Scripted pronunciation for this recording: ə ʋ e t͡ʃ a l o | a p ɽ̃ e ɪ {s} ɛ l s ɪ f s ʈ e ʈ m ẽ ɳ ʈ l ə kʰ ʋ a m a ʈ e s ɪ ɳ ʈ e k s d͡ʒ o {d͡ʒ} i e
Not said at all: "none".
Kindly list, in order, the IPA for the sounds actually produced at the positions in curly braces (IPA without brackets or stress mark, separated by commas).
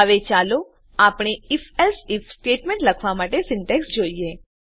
f, none